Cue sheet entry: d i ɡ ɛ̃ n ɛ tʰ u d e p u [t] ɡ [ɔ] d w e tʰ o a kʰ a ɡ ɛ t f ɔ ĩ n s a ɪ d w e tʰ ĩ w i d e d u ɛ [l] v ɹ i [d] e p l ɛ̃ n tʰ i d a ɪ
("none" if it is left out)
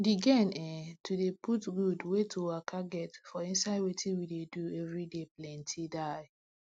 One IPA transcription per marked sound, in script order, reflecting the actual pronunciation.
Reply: t, u, none, d

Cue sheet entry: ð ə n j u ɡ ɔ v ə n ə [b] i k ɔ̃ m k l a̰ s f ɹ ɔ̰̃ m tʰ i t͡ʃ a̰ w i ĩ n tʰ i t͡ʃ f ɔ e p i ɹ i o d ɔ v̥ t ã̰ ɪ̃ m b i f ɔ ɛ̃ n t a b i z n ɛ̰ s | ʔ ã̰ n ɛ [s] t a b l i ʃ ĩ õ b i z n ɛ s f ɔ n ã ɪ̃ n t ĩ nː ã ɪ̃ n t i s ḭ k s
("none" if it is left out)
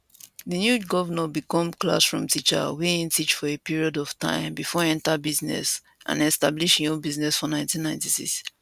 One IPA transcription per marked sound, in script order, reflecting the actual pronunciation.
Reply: b, s

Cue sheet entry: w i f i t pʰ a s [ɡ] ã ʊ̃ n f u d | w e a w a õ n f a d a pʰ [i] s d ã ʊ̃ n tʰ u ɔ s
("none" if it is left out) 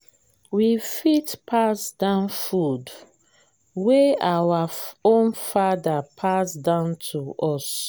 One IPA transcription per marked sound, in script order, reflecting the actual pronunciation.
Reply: d, a

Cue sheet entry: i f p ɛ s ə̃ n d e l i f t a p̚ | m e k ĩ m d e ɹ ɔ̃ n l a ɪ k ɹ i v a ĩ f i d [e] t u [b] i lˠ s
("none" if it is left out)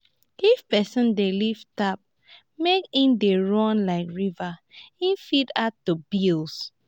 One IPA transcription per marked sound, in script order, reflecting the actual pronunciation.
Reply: a, b

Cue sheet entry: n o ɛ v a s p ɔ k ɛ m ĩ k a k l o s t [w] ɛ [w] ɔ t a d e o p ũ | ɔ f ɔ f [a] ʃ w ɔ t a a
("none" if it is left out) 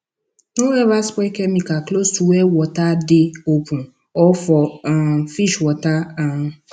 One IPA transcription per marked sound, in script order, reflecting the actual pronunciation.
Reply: u, w, i

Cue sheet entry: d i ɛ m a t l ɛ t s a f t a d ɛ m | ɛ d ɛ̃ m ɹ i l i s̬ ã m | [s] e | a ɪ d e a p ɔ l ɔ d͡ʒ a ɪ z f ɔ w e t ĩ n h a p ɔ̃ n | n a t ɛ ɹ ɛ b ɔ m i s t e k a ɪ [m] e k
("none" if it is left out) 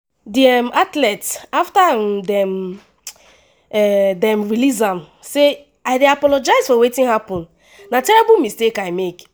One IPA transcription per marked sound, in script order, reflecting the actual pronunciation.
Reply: s, m

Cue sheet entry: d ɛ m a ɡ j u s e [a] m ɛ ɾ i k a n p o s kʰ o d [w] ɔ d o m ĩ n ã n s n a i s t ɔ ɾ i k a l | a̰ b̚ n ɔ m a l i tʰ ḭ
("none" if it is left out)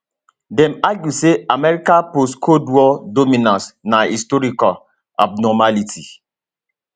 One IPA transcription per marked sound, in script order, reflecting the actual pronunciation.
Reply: a, w

